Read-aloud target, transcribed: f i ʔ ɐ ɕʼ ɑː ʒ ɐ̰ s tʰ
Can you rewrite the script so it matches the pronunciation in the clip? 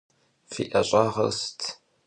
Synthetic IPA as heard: f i ʔ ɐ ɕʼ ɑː ʁ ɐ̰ s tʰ